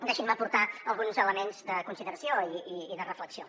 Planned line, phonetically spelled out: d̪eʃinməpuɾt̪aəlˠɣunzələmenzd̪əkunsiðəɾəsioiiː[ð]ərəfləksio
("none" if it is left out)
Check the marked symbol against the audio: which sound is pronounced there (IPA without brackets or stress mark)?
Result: ð